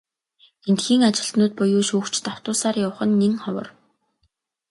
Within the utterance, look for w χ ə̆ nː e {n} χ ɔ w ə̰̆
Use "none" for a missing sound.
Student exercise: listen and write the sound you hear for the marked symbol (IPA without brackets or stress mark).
ŋ